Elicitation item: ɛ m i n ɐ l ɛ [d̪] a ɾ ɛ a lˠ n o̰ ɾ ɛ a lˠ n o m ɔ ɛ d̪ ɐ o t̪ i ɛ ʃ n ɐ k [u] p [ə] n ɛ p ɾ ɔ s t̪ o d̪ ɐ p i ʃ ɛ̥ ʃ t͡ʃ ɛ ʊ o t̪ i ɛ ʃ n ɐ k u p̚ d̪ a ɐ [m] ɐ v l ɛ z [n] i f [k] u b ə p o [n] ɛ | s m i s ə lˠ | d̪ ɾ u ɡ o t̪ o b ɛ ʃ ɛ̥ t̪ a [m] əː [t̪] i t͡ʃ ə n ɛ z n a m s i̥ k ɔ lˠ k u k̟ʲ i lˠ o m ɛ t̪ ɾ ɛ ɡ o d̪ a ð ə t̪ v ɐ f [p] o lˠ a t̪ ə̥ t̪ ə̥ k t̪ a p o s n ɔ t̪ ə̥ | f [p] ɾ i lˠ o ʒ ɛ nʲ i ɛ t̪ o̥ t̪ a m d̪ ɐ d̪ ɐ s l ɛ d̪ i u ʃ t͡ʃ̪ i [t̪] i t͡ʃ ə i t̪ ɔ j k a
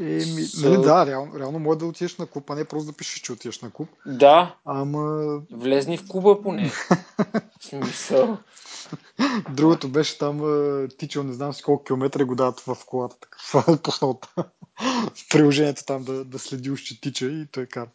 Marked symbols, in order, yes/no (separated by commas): yes, yes, no, yes, yes, yes, yes, yes, yes, no, yes, yes